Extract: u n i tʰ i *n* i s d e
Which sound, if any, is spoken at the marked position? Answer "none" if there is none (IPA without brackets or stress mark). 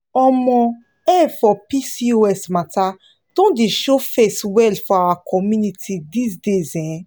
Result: d